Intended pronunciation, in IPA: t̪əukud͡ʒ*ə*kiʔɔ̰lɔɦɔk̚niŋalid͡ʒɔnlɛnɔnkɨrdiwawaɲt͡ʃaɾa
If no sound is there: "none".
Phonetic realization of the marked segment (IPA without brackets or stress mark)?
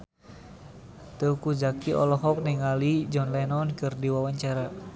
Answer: a